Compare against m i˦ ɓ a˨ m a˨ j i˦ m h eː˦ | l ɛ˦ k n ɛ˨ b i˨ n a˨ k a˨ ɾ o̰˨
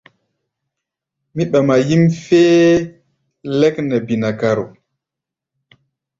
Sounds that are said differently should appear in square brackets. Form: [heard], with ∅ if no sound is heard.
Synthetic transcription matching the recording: m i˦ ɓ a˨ m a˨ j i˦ m [f] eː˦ | l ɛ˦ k n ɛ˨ b i˨ n a˨ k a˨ ɾ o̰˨

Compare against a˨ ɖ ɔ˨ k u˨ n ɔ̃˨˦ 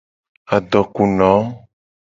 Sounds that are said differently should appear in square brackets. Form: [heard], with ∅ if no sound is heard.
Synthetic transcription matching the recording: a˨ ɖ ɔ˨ k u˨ n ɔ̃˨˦

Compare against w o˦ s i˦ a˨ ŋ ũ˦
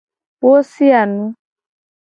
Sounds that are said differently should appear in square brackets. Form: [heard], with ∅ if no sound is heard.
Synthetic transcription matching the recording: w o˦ s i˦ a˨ [n] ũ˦

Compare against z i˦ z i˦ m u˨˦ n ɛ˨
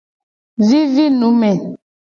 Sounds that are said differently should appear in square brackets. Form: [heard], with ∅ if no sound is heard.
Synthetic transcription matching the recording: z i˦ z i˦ [n] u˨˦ [m] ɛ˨

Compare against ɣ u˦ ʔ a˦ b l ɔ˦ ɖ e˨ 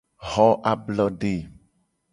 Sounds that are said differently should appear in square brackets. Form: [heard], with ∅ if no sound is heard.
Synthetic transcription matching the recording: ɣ [ɔ˦] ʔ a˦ b l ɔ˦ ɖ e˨

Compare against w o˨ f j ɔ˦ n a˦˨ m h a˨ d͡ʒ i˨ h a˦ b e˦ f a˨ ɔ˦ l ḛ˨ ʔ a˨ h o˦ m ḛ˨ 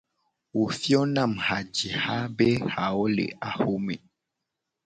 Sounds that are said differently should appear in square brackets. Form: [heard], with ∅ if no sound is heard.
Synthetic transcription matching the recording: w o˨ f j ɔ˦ n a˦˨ m h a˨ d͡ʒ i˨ h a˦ b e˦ [h] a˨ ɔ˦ l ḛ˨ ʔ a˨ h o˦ m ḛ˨

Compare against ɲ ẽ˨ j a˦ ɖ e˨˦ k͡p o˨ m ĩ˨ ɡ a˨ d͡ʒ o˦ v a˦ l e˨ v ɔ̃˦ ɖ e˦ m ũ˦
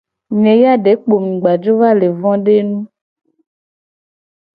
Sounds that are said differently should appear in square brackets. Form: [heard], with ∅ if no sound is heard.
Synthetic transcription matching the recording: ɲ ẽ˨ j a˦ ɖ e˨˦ k͡p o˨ m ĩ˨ [ɡ͡b] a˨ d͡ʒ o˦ v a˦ l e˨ v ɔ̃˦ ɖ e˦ [n] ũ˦

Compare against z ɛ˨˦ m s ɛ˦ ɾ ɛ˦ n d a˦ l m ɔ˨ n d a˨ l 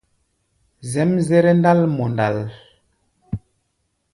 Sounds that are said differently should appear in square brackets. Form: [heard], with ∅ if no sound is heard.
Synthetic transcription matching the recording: z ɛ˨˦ m [z] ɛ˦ ɾ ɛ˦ n d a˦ l m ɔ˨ n d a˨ l

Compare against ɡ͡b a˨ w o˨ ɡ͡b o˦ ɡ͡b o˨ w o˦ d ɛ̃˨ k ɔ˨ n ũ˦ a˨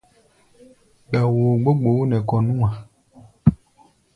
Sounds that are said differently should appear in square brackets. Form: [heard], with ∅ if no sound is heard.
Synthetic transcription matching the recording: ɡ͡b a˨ w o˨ ɡ͡b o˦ ɡ͡b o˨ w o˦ [n] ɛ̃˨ k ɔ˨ n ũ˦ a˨

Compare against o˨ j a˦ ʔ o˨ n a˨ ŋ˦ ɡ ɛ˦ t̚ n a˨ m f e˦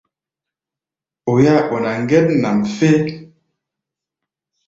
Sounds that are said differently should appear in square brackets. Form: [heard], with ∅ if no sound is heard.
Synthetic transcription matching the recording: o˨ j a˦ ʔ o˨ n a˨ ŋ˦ ɡ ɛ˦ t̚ n a˨ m f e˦

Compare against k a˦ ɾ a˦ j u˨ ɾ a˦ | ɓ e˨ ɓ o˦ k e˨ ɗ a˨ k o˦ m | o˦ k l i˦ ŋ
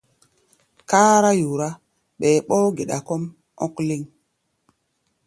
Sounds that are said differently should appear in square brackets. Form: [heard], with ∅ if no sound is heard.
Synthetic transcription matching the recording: k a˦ ɾ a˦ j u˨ ɾ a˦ | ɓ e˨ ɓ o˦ [ɡ] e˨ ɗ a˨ k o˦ m | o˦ k l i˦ ŋ

